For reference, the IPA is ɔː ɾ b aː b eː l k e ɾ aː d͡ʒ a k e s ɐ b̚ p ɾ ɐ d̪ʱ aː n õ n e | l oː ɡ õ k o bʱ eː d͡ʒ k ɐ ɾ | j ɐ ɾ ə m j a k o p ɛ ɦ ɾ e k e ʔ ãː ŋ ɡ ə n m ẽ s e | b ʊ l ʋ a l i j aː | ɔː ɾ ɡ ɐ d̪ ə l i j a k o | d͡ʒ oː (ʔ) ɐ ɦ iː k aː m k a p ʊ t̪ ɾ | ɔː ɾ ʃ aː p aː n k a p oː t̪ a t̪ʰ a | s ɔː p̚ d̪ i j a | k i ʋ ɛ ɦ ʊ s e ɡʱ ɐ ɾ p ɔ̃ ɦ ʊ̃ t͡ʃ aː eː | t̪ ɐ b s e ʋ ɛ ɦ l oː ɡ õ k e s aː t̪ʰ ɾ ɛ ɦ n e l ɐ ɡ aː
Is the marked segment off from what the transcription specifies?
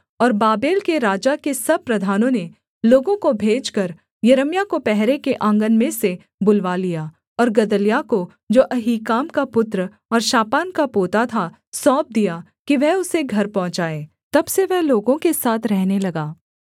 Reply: no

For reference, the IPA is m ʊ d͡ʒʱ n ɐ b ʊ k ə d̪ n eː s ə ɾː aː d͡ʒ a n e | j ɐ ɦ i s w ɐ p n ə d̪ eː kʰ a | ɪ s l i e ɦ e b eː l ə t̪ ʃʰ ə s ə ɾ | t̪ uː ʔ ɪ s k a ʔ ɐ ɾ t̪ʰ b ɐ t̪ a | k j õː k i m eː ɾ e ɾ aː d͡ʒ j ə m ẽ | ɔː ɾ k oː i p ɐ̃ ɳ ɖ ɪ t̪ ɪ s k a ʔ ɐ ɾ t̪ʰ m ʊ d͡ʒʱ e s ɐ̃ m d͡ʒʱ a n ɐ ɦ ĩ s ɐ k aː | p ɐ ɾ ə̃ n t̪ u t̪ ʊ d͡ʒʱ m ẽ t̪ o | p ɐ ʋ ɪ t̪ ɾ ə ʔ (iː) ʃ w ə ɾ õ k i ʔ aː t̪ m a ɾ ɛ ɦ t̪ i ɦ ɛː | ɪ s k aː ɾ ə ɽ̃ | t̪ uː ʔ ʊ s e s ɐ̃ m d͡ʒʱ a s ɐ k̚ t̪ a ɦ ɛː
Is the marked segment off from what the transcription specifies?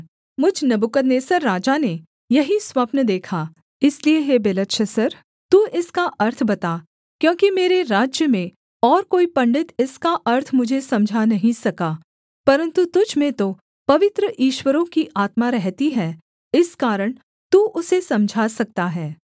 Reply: no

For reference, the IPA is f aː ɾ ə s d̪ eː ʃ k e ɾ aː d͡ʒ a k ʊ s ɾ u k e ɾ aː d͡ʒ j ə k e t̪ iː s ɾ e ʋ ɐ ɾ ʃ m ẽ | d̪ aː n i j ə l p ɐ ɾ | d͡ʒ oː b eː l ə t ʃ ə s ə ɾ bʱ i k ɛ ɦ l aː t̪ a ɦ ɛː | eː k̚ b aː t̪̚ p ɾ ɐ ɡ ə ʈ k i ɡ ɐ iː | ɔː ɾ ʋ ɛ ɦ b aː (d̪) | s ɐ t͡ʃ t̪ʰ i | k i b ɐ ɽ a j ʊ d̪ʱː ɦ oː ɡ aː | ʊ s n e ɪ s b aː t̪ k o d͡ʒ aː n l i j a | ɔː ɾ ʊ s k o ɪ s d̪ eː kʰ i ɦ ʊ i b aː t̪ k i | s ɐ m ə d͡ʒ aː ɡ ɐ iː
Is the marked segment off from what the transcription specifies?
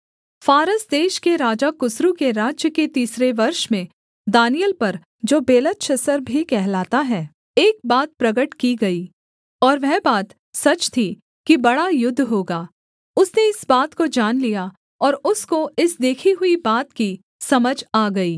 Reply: yes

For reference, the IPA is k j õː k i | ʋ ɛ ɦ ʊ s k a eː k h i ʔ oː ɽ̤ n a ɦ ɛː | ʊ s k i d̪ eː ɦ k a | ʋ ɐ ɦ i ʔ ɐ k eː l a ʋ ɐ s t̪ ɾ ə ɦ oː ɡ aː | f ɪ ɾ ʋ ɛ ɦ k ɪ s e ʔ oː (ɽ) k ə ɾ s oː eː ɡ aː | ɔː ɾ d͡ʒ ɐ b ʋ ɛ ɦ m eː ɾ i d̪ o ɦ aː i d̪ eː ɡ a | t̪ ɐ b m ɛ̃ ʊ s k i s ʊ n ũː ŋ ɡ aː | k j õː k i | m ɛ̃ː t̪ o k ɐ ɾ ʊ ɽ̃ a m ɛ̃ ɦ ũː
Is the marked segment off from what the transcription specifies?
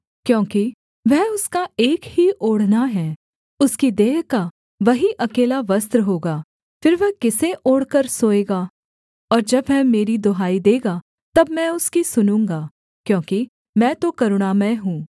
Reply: no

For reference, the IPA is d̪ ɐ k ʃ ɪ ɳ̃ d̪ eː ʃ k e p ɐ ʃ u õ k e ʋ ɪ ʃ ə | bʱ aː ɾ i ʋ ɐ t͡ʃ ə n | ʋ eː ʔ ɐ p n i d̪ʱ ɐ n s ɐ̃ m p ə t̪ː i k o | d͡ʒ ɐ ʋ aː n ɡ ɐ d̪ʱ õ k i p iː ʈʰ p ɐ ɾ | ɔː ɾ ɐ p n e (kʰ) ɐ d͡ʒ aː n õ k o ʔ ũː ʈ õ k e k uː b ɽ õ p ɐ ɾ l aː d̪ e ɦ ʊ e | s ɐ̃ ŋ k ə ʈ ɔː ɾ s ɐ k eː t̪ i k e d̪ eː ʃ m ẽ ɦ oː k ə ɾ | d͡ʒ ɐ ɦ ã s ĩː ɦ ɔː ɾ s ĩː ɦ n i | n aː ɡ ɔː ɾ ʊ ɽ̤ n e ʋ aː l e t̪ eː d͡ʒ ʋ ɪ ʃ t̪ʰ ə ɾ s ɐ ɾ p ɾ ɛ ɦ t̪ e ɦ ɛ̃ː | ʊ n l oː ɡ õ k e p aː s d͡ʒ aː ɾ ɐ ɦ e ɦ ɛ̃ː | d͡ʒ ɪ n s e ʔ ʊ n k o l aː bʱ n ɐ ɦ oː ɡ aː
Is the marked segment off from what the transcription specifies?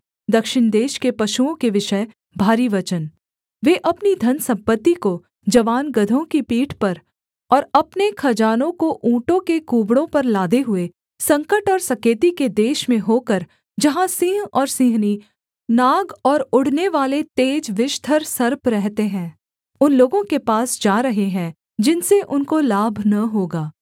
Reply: no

